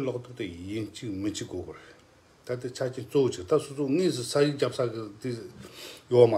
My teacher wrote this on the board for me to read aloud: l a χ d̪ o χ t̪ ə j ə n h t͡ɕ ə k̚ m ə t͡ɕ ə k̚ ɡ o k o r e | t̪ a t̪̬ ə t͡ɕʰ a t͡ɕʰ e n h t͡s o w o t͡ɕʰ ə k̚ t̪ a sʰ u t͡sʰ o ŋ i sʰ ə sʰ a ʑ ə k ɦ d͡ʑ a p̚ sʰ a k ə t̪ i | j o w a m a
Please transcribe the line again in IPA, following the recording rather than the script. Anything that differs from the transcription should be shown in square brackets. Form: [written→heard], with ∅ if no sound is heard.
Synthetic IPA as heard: l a χ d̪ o χ t̪ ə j ə n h t͡ɕ ə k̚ m ə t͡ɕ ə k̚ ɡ o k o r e | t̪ a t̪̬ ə t͡ɕʰ a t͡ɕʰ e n h t͡s o w o [t͡ɕʰ→t͡ɕ] ə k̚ t̪ a sʰ [u→o] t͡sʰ o ŋ i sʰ ə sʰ a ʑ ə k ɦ d͡ʑ a p̚ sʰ a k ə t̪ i | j o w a m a